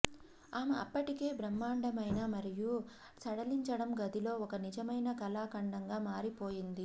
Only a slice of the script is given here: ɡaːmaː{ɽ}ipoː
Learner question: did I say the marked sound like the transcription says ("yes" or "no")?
no